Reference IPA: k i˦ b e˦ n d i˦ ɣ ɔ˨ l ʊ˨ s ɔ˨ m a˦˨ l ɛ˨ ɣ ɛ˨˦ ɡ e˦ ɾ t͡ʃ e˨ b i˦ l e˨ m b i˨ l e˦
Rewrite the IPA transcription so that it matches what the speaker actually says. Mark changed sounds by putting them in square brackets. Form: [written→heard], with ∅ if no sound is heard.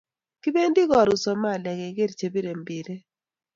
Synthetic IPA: k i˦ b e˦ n d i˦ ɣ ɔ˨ [l→ɾ] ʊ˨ s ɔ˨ m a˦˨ l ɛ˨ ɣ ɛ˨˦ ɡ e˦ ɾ t͡ʃ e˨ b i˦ [l→ɾ] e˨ m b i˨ [l→ɾ] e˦